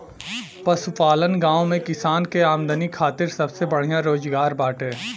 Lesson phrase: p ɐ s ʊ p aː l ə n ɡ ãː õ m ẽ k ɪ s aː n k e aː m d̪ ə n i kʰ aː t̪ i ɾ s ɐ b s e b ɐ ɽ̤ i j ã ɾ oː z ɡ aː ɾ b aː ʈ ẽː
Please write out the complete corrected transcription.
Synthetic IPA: p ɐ s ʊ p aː l ə n ɡ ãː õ m ẽ k ɪ s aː n k e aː m d̪ ə n i kʰ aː t̪ ɪ ɾ s ɐ b s e b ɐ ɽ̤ i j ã ɾ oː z ɡ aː ɾ b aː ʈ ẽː